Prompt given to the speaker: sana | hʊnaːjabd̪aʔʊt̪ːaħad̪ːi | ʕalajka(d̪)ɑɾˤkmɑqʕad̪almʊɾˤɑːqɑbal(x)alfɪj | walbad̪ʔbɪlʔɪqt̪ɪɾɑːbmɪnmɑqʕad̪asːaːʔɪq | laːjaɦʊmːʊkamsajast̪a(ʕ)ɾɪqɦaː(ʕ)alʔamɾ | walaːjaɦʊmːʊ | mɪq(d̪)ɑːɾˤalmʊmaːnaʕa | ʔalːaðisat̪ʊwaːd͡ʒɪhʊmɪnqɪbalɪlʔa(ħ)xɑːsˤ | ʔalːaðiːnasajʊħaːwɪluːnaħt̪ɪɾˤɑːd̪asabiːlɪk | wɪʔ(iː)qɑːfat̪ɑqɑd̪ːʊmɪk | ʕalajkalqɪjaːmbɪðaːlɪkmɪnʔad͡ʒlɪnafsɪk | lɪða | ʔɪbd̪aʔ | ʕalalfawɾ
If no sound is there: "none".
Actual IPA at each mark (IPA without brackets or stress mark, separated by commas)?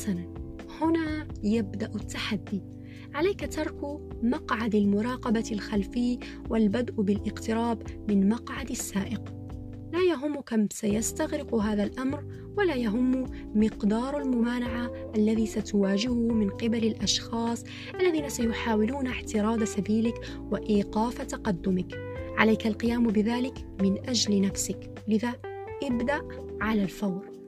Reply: t̪, x, ɣ, ð, d̪, ʃ, iː